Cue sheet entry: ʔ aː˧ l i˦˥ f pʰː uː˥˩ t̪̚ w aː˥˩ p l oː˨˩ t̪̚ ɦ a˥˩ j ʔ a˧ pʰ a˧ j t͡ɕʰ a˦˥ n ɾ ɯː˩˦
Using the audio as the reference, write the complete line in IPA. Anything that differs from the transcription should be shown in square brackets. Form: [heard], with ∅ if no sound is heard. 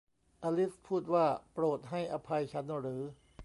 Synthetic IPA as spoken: ʔ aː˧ l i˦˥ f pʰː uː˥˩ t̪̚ w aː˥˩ p [ɾ] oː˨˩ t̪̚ ɦ a˥˩ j ʔ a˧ pʰ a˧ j t͡ɕʰ a˦˥ n ɾ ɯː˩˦